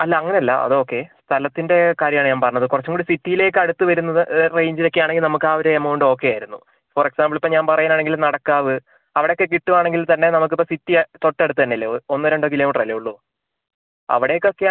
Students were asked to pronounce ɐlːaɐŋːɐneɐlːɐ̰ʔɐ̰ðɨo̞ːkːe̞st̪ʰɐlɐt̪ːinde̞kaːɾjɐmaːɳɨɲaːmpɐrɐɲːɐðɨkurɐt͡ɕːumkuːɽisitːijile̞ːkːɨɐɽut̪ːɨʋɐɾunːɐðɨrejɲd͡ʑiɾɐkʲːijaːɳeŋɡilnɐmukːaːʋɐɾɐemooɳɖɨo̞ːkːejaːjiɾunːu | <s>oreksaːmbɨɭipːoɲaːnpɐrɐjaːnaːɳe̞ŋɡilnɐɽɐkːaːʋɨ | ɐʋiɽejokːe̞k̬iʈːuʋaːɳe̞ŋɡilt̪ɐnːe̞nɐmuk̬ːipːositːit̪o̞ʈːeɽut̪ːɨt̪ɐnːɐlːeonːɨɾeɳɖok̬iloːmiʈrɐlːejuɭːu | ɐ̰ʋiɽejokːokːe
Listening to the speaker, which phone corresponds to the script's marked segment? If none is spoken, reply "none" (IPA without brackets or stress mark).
f